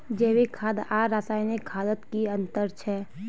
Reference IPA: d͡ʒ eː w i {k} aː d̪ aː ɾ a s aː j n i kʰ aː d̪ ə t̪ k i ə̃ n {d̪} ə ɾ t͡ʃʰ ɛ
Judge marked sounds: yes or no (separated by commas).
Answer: no, no